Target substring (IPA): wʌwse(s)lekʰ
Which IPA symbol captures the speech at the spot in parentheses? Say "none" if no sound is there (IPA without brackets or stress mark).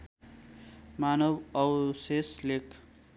s